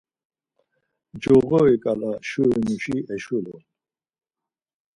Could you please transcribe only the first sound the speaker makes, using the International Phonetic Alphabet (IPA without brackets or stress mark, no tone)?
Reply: d͡ʒ